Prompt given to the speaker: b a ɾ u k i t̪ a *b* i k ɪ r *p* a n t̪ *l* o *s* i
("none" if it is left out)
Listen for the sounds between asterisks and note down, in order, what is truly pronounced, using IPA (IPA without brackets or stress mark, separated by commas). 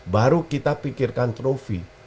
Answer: p, k, ɾ, f